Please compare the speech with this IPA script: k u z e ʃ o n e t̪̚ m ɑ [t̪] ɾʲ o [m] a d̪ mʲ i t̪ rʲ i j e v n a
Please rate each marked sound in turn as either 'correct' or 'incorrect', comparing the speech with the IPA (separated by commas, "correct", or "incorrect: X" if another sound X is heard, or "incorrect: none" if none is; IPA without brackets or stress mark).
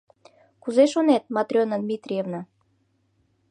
correct, incorrect: n